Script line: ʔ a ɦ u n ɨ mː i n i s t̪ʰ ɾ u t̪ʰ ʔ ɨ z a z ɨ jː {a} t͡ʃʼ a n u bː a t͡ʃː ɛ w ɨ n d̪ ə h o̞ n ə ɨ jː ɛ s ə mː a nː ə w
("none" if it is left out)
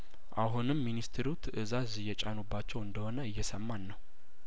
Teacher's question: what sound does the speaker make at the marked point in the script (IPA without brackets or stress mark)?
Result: ɛ